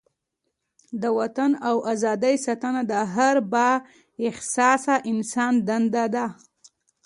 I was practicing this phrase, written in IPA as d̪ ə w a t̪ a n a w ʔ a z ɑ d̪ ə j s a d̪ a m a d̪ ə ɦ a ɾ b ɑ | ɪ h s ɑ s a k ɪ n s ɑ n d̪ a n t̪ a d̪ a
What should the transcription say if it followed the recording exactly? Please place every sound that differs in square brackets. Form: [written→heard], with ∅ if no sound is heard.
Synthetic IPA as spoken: d̪ ə w a t̪ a n a w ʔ a z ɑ d̪ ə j s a [d̪→t̪] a [m→n] a d̪ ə ɦ a ɾ b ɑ | ɪ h s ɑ s a [k→ʔ] ɪ n s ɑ n d̪ a n [t̪→d̪] a d̪ a